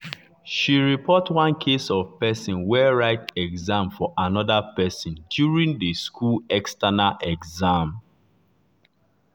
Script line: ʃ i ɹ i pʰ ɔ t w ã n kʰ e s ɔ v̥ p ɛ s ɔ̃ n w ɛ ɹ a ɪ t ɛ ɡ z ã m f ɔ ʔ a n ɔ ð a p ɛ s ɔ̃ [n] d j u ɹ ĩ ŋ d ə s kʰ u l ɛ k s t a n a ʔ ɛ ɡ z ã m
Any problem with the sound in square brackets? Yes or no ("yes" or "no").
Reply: no